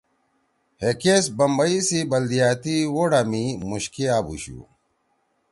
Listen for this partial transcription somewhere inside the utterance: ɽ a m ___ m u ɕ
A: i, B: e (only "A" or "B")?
A